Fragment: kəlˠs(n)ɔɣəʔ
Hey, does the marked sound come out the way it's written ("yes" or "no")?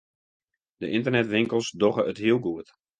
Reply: no